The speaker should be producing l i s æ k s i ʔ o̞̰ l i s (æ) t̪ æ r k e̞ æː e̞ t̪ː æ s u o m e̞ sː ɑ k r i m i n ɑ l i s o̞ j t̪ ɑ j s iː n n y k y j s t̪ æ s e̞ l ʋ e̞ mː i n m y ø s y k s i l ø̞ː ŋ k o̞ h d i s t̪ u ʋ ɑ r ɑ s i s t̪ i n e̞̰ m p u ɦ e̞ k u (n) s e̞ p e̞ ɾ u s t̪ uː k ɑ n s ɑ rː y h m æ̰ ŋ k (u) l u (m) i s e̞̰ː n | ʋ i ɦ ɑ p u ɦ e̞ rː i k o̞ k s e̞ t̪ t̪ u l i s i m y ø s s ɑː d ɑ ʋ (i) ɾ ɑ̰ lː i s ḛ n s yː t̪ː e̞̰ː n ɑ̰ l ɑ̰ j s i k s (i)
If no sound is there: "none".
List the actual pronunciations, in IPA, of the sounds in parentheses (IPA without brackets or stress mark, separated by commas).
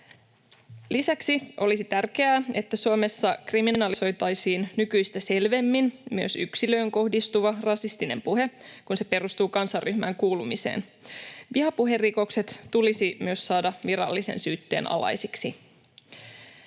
i, n, uː, m, i, i